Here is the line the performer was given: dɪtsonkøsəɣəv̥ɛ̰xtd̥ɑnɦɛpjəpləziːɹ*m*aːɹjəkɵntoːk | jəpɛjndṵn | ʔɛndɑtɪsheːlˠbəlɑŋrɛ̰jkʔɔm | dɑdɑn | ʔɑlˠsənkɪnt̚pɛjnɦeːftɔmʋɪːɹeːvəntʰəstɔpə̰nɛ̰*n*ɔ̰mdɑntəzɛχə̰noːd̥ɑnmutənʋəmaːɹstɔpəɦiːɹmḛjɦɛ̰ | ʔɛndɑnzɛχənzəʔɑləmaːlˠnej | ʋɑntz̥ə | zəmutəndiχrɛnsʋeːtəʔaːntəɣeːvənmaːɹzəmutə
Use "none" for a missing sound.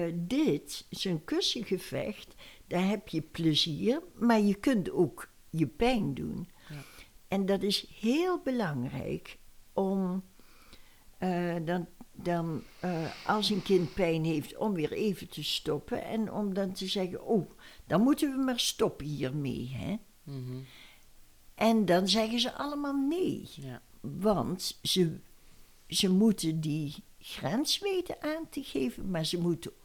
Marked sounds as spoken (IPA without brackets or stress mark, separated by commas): m, n